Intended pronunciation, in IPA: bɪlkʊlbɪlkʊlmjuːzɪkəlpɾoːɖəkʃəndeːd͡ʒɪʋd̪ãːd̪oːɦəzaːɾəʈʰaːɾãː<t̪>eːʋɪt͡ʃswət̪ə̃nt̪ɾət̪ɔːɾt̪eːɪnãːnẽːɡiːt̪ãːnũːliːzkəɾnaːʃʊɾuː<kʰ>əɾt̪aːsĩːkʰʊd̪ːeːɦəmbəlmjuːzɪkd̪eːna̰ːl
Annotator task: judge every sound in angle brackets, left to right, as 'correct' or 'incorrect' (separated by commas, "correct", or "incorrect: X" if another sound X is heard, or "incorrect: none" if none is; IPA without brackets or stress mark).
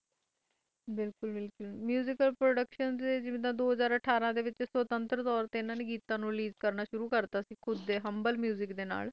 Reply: incorrect: d̪, incorrect: k